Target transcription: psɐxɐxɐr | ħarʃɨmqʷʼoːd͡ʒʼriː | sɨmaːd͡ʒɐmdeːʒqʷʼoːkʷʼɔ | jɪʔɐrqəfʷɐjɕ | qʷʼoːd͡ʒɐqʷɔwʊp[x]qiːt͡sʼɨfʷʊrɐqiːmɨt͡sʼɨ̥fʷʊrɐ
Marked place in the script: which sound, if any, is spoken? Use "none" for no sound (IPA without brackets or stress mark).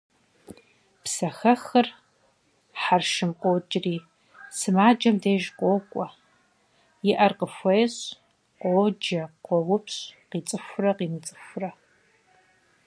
ɕ